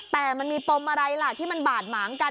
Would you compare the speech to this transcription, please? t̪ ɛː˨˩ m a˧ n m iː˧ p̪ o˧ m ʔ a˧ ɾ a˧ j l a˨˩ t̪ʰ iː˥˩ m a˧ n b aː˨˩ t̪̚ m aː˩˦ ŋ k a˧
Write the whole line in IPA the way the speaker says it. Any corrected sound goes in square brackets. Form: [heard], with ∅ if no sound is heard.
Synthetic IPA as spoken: t̪ ɛː˨˩ m a˧ n m iː˧ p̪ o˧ m ʔ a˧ ɾ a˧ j l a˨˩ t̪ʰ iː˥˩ m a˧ n b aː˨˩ t̪̚ m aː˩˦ ŋ k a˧